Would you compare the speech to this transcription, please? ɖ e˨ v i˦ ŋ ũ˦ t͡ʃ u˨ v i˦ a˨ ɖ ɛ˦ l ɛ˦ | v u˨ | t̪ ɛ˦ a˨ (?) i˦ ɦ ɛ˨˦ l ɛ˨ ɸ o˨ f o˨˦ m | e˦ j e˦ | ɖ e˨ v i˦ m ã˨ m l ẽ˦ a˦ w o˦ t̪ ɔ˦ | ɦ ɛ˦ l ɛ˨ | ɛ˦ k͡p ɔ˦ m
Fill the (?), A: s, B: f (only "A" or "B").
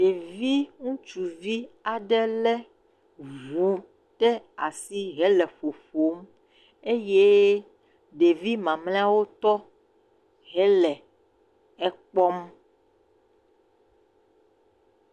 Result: A